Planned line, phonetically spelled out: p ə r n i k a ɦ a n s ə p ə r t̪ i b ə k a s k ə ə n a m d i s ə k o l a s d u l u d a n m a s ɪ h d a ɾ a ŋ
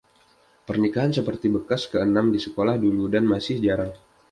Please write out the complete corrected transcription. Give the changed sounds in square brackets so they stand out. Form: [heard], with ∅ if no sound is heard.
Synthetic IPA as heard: p ə r n i k a ɦ a n s ə p ə r t̪ i b ə k a s k ə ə n a m d i s ə k o l a [h] d u l u d a n m a s ɪ h [d͡ʒ] a ɾ a ŋ